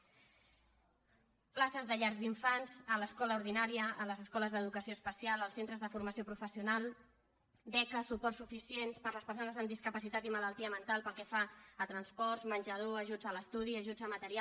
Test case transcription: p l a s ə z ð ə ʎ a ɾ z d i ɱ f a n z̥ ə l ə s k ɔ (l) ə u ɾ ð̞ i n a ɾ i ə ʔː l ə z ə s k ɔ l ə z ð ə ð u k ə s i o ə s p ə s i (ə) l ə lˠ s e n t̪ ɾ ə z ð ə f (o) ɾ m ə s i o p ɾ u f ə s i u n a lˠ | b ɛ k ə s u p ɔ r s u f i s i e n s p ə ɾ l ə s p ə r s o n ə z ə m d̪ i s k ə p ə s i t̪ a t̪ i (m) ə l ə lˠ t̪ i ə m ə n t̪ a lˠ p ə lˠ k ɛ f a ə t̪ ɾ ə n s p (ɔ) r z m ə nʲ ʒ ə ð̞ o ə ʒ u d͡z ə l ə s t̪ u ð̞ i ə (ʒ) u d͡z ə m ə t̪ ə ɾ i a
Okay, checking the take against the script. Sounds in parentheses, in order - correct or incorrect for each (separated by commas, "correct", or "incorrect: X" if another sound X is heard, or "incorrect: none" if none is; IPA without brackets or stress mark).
correct, incorrect: a, incorrect: u, correct, correct, correct